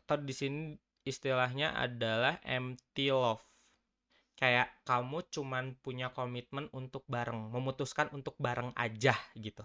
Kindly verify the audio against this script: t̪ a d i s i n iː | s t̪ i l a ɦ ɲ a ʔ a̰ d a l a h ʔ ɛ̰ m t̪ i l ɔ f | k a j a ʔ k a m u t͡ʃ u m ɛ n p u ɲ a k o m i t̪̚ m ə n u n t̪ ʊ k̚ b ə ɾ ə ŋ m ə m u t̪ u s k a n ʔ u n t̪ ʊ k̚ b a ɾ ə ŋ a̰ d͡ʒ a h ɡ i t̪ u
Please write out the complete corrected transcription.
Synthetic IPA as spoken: t̪ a d i s i n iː | s t̪ i l a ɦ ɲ a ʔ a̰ d a l a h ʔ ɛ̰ m t̪ i l ɔ f | k a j a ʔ k a m u t͡ʃ u m a n p u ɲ a k o m i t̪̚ m ə n u n t̪ ʊ k̚ b a ɾ ə ŋ m ə m u t̪ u s k a n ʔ u n t̪ ʊ k̚ b a ɾ ə ŋ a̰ d͡ʒ a h ɡ i t̪ u